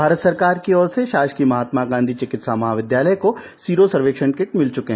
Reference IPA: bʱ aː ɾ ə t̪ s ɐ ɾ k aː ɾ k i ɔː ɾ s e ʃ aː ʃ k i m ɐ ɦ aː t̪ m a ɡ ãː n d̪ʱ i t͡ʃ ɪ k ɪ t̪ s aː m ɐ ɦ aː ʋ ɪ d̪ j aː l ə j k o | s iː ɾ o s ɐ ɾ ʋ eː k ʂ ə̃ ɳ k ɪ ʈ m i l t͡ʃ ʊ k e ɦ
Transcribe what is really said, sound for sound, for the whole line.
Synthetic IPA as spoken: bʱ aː ɾ ə t̪ s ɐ ɾ k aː ɾ k i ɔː ɾ s e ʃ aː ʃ k i m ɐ ɦ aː t̪ m a ɡ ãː n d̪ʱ i t͡ʃ ɪ k ɪ t̪ s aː m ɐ ɦ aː ʋ ɪ d̪ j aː l ə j k o | s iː ɾ o s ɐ ɾ ʋ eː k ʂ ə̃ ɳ k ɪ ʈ m ɪ l t͡ʃ ʊ k e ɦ